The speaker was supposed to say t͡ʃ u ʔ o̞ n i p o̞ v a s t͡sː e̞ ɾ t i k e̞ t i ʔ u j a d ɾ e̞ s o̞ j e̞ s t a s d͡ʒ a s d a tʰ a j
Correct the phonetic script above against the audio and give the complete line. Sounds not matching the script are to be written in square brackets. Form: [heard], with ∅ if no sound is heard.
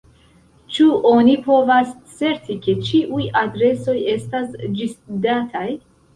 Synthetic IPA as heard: t͡ʃ u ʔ o̞ n i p o̞ v a s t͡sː e̞ ɾ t i k e̞ [t͡ʃ] i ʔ u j a d ɾ e̞ s o̞ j e̞ s t a s d͡ʒ [i] s d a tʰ a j